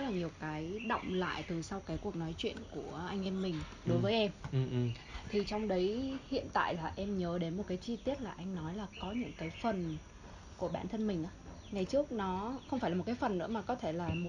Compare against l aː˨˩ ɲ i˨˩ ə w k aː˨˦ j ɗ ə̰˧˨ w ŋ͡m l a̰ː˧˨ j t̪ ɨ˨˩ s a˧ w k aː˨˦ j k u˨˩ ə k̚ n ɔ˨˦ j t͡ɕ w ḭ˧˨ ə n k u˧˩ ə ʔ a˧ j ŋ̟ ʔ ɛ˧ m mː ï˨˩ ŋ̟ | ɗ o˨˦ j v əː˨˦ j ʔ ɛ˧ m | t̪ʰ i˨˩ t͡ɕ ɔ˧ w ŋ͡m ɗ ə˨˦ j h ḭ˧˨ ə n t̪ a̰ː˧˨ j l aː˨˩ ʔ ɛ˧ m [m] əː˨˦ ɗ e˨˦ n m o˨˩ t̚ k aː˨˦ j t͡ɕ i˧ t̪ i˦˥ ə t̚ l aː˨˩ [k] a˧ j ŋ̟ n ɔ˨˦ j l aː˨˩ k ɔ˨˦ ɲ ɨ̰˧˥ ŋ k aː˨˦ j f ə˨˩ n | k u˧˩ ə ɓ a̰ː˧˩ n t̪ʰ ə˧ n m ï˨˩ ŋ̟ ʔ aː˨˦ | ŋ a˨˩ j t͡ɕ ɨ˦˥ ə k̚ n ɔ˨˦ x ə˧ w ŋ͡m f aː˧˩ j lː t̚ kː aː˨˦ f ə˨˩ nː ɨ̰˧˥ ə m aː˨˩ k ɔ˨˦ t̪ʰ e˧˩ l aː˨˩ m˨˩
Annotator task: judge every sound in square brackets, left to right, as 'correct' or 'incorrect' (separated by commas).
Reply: incorrect, incorrect